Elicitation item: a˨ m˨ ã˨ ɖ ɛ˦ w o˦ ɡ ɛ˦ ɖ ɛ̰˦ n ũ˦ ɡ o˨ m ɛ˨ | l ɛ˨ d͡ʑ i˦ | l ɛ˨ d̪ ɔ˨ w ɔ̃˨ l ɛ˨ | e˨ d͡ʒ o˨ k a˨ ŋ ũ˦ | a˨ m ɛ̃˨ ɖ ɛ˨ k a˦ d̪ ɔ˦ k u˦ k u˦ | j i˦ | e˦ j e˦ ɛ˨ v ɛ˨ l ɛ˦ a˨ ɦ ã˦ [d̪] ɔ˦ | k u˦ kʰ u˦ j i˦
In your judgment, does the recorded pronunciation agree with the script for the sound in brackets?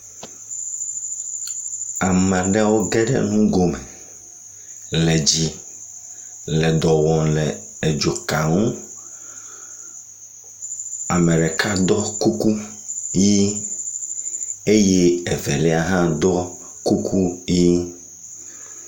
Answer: yes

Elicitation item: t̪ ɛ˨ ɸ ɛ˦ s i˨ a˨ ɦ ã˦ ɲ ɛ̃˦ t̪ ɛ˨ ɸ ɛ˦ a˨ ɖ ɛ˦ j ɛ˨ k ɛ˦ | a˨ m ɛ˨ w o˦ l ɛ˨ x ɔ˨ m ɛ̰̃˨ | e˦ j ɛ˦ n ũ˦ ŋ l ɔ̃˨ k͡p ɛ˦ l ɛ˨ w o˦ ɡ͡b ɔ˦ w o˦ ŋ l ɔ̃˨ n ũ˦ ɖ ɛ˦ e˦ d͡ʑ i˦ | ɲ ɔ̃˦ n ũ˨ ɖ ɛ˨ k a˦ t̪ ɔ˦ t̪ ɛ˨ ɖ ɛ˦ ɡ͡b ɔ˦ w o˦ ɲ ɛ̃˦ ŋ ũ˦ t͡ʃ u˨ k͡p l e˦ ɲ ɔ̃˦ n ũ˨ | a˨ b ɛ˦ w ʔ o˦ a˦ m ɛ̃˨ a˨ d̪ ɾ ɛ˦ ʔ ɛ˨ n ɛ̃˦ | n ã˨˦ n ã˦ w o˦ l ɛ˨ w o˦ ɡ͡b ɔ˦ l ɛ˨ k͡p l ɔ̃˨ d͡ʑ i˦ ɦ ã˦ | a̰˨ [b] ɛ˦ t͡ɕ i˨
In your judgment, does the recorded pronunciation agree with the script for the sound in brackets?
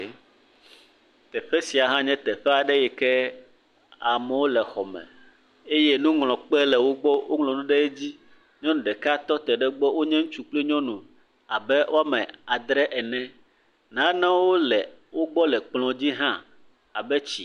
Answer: yes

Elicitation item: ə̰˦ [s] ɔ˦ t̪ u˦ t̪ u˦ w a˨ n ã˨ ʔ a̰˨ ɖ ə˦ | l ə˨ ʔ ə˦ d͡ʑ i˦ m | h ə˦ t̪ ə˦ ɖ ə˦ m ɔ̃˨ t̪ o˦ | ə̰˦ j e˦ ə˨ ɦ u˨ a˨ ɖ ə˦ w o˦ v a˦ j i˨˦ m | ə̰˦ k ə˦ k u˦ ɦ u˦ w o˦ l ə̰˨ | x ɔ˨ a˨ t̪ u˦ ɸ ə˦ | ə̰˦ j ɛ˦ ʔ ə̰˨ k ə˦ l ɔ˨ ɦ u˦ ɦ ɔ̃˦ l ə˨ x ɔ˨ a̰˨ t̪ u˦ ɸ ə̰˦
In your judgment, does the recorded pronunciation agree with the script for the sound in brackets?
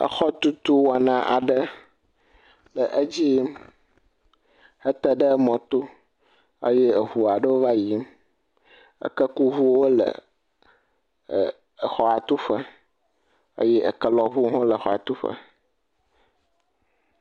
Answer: no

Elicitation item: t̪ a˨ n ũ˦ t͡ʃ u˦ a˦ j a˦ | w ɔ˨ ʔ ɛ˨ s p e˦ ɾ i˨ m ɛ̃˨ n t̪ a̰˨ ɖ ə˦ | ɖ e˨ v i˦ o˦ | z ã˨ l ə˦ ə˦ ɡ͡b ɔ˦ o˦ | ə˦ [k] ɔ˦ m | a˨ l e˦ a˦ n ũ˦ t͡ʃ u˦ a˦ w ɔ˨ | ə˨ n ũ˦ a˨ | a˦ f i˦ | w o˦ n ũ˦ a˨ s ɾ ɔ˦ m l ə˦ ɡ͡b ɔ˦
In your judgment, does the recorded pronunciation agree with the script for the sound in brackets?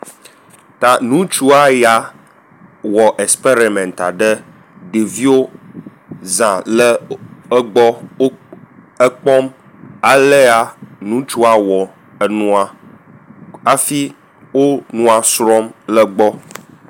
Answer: no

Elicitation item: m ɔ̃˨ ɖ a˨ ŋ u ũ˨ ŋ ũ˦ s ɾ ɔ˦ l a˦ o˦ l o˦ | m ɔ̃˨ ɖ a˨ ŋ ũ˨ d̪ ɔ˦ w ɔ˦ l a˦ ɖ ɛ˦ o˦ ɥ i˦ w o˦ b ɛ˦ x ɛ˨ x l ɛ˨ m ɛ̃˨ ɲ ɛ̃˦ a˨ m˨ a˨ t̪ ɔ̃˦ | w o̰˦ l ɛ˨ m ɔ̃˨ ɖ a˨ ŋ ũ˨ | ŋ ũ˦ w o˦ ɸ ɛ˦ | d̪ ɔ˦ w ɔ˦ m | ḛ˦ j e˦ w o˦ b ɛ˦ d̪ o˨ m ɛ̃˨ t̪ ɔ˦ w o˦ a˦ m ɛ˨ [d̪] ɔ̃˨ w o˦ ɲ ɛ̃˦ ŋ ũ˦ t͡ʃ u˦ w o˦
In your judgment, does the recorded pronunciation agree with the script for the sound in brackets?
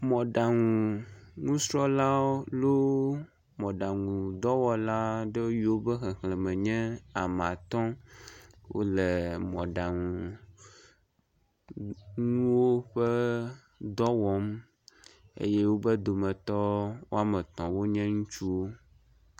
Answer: no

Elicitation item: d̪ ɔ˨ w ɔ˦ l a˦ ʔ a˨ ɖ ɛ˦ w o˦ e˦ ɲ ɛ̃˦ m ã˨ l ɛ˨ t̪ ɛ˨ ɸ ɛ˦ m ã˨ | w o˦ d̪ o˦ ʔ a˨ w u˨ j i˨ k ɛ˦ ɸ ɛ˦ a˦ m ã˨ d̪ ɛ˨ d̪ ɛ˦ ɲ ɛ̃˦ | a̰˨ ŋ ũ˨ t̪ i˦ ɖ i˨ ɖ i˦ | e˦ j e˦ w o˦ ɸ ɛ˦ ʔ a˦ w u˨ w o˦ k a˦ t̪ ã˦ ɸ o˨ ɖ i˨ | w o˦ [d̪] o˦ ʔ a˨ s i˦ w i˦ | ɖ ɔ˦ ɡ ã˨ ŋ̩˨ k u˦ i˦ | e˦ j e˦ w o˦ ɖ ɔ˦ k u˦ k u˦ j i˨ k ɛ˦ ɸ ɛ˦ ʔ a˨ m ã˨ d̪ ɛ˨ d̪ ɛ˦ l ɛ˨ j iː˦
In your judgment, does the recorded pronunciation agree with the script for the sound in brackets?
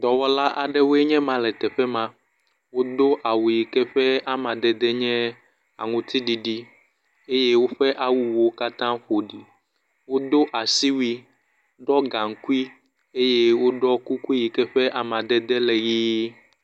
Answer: yes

